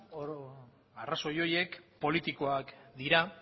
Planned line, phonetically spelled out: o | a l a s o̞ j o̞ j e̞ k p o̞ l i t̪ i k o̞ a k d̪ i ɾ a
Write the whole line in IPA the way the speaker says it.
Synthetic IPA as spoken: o | a r a s o̞ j o̞ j e̞ k p o̞ l i t̪ i k o̞ a k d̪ i ɾ a